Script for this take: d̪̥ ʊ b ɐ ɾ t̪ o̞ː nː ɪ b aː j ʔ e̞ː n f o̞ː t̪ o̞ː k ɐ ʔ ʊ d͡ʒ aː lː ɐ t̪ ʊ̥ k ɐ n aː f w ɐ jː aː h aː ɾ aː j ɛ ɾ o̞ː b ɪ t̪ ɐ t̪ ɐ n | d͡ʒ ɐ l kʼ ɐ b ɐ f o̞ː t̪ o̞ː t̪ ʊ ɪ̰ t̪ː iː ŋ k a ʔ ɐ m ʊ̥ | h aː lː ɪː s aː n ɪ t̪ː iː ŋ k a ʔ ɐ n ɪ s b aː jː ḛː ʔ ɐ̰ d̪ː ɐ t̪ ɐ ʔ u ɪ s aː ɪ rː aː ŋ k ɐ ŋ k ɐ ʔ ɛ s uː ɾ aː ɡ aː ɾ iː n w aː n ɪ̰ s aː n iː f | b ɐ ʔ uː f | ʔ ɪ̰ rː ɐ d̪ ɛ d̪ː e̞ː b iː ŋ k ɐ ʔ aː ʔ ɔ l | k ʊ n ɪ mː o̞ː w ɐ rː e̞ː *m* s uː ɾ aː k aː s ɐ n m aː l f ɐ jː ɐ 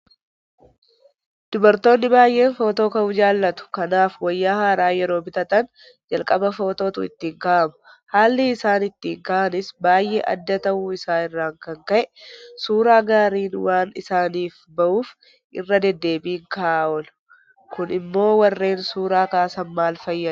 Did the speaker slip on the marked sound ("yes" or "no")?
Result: yes